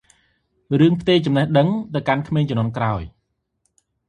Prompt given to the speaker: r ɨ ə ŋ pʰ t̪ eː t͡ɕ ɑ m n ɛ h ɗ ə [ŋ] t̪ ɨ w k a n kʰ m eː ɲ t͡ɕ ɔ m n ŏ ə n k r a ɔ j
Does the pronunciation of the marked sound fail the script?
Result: no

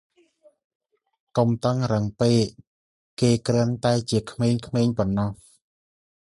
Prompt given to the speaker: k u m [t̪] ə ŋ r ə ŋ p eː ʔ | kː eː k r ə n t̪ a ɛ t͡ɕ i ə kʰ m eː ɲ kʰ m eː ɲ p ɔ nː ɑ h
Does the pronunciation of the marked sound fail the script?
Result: no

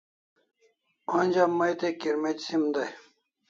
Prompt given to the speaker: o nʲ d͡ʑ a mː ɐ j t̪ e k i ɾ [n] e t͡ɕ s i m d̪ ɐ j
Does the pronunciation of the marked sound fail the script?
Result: yes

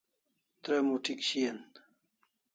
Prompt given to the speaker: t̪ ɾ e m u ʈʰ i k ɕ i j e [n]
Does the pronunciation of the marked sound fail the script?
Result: no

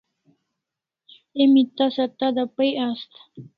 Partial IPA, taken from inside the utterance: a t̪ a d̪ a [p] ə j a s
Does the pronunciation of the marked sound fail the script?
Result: no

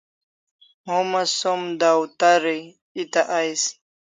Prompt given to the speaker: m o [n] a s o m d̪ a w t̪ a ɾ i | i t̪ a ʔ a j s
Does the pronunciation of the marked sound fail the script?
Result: yes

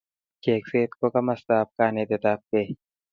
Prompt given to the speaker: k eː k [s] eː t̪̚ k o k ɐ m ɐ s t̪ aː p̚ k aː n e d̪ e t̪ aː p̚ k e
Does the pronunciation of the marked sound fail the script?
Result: no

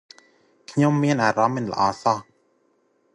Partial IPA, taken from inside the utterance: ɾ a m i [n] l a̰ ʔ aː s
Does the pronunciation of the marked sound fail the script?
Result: no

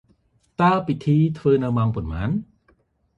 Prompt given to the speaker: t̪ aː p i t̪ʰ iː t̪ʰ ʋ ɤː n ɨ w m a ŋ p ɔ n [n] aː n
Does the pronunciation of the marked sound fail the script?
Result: yes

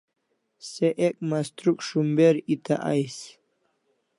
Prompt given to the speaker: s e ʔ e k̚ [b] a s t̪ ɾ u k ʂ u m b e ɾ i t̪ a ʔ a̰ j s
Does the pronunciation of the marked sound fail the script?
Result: yes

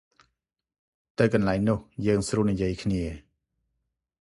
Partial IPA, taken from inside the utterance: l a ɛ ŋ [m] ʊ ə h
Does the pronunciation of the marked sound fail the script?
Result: yes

